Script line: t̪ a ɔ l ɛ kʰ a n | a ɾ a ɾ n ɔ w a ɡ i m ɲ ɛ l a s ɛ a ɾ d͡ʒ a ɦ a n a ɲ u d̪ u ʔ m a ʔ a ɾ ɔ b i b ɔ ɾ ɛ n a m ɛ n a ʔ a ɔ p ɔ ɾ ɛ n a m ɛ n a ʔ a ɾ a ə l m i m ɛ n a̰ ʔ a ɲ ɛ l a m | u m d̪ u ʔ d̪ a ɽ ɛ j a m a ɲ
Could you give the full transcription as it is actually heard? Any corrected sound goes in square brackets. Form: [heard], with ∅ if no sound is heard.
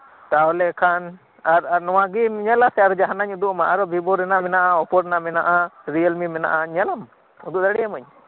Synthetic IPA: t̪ a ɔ l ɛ kʰ a n | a ɾ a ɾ n ɔ w a ɡ i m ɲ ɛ l a s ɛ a ɾ d͡ʒ a ɦ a n a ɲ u d̪ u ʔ m a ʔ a ɾ ɔ b i b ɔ ɾ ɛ n a m ɛ n a ʔ a ɔ p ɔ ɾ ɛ n a m ɛ n a ʔ a ɾ [i] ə l m i m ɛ n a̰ ʔ a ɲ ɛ l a m | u [∅] d̪ u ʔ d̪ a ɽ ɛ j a m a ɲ